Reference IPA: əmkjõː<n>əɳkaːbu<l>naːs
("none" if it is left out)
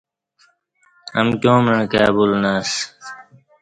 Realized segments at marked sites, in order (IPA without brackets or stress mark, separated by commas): m, l